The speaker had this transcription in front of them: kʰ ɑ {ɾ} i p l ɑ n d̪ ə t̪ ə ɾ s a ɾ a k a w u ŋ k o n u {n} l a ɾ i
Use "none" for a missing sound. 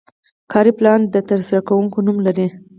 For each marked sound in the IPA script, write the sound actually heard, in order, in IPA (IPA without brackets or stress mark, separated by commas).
ɾ, m